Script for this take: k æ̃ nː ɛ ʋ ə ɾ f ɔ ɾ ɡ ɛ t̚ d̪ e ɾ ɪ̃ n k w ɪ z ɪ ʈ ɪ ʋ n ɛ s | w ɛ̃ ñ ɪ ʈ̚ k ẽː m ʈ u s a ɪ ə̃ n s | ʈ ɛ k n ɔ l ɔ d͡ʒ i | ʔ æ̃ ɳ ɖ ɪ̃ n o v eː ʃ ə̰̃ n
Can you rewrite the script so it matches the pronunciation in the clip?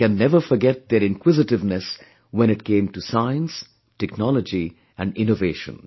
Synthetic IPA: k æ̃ nː ɛ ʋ ə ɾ f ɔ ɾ ɡ ɛ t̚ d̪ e ɾ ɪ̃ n k w ɪ z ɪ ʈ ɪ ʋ n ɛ s | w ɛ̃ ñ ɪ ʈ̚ k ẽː m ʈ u s a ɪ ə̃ n s | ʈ ɛ k n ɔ l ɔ d͡ʒ i | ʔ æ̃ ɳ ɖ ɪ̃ n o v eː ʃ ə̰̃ n